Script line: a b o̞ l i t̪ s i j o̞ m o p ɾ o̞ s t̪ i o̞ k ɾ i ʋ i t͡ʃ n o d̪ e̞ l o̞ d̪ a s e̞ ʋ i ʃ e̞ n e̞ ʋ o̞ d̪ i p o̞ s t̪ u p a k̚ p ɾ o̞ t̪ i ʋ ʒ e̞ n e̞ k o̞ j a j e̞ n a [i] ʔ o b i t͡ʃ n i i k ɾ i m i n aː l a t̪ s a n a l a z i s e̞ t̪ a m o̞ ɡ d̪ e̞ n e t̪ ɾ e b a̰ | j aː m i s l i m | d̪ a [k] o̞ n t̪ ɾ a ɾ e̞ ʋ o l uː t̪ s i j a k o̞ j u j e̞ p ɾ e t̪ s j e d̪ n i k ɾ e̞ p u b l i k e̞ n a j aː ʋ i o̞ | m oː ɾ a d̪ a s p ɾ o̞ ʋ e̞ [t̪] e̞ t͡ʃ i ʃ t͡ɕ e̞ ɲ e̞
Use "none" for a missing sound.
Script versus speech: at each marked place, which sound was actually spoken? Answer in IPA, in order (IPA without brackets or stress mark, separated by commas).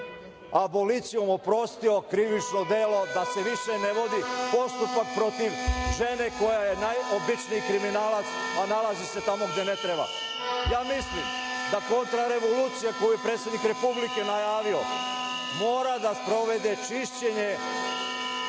j, k, d̪